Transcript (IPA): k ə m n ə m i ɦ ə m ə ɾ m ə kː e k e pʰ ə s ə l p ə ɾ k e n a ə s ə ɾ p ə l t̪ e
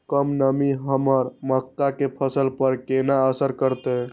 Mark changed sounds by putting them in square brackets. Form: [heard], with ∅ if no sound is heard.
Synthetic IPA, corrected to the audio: k ə m n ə m i ɦ ə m ə ɾ m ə kː [a] k e pʰ ə s ə l p ə ɾ k e n a ə s ə ɾ [k] ə [ɾ] t̪ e